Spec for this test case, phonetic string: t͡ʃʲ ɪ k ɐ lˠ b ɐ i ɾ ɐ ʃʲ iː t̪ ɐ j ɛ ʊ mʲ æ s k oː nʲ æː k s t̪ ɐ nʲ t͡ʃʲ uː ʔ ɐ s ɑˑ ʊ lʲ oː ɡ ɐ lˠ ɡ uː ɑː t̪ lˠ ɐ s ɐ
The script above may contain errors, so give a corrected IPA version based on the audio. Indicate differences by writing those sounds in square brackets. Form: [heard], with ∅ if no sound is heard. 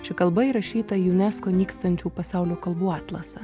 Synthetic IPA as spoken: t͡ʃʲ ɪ k ɐ lˠ b ɐ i ɾ ɐ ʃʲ iː t̪ ɐ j ɛ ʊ [nʲ] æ s k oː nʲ [iː] k s t̪ ɐ nʲ t͡ʃʲ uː [p] ɐ s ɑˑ ʊ lʲ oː [k] ɐ lˠ [b] uː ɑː t̪ lˠ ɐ s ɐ